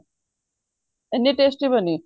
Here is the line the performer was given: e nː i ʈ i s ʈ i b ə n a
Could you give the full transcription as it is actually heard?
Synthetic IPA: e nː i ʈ e s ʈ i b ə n i

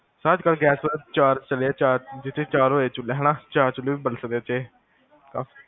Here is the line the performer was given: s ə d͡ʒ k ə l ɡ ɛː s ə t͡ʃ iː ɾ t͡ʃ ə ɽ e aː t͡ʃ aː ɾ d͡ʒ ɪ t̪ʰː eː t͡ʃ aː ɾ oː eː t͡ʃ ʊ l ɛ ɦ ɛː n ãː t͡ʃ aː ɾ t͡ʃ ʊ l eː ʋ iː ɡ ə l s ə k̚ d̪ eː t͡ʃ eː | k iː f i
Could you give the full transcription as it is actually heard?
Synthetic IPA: s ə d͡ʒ k ə l ɡ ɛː s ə t͡ʃ aː ɾ t͡ʃ ə l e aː t͡ʃ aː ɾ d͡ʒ ɪ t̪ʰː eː t͡ʃ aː ɾ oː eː t͡ʃ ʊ l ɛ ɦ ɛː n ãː t͡ʃ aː ɾ t͡ʃ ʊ l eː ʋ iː b ə l s ə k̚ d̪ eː t͡ʃ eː | k aː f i

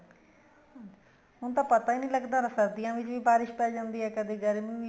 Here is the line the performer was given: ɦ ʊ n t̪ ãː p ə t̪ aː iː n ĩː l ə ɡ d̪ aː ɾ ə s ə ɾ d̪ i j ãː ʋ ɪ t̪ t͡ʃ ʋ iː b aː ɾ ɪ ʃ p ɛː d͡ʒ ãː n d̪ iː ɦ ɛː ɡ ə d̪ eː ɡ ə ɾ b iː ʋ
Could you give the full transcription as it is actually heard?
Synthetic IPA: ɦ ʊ n t̪ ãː p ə t̪ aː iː n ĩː l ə ɡ d̪ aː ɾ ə s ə ɾ d̪ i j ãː ʋ ɪ t͡ʃ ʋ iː b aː ɾ ɪ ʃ p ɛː d͡ʒ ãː n d̪ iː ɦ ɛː k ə d̪ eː ɡ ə ɾ m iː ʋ

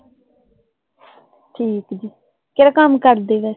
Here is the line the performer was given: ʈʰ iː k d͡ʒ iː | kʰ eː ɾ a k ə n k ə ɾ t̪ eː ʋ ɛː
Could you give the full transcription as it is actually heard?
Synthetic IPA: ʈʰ iː k d͡ʒ iː | k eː ɾ a k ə m k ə ɾ d̪ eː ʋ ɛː

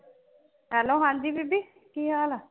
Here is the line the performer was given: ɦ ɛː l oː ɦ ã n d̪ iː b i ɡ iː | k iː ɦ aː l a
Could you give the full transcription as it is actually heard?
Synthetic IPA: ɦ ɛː l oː ɦ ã n d̪ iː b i b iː | k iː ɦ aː l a

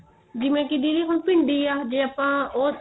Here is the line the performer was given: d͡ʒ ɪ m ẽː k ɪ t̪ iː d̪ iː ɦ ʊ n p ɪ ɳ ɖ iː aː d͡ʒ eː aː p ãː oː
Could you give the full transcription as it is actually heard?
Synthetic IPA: d͡ʒ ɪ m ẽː k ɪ d̪ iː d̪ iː ɦ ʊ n p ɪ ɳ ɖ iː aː d͡ʒ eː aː p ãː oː

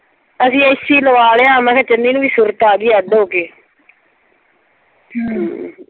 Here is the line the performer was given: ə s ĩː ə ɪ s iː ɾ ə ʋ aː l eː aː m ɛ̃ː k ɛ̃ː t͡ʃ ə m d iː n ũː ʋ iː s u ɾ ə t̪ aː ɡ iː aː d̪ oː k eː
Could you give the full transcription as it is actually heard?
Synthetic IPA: ə s ĩː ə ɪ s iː l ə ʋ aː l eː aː m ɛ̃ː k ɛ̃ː t͡ʃ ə n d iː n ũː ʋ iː s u ɾ ə t̪ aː ɡ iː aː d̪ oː k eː

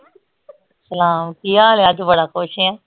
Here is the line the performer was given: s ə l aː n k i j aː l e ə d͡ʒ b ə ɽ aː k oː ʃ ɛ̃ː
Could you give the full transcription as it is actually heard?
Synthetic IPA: s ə l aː m k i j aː l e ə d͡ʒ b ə ɽ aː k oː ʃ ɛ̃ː

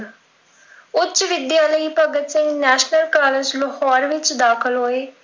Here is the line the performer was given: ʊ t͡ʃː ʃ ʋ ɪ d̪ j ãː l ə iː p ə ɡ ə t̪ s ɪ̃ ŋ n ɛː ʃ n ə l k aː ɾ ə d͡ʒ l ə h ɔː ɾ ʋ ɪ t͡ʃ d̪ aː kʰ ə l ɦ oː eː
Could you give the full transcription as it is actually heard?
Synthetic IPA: ʊ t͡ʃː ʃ ʋ ɪ d̪ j aː l ə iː p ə ɡ ə t̪ s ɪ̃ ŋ n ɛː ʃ n ə l k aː l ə d͡ʒ l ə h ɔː ɾ ʋ ɪ t͡ʃ d̪ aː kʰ ə l ɦ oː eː

